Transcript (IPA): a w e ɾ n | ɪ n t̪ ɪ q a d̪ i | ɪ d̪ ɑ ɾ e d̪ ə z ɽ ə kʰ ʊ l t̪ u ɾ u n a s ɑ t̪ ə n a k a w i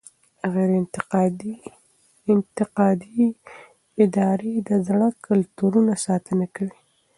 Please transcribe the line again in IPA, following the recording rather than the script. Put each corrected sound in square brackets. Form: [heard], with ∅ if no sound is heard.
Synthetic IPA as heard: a [ɣ] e ɾ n | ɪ n t̪ ɪ q [ɑ] d̪ i | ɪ d̪ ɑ ɾ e d̪ ə z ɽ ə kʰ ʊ l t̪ u ɾ u n a s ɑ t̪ ə n a k a w i